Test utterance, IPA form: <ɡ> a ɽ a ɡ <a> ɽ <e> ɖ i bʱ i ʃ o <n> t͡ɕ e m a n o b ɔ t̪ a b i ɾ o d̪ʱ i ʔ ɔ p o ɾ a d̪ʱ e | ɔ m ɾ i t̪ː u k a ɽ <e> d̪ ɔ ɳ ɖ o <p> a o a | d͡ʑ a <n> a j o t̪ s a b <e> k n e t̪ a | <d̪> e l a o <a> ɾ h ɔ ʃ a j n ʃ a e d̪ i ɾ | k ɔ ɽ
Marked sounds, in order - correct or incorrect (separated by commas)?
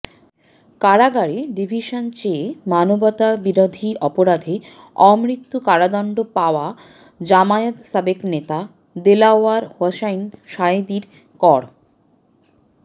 incorrect, correct, correct, correct, incorrect, correct, incorrect, correct, correct, correct